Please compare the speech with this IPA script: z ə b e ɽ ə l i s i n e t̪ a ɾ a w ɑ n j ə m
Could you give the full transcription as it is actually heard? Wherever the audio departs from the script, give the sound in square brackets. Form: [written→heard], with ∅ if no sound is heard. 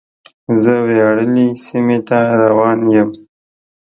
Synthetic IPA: z ə [b→w] e ɽ ə l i s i [n→m] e t̪ a ɾ a w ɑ n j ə m